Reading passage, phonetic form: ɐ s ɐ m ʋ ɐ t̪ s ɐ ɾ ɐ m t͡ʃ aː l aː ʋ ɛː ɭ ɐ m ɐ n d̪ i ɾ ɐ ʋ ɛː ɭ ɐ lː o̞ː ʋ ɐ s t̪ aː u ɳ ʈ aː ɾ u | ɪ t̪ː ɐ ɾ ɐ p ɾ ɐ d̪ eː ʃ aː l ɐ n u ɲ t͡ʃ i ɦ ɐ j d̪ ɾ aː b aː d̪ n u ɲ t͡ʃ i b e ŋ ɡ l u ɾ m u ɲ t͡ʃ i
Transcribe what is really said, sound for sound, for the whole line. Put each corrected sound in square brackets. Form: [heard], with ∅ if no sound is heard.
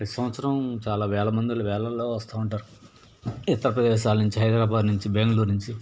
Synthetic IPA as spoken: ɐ s ɐ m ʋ ɐ t̪ s ɐ ɾ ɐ m t͡ʃ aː l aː ʋ ɛː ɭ ɐ m ɐ n d̪ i [l] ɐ ʋ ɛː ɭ ɐ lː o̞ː ʋ ɐ s t̪ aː u ɳ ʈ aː ɾ u | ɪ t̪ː ɐ ɾ ɐ p ɾ ɐ d̪ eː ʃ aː l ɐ n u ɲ t͡ʃ i ɦ ɐ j d̪ ɾ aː b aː d̪ n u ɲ t͡ʃ i b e ŋ ɡ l u ɾ [n] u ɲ t͡ʃ i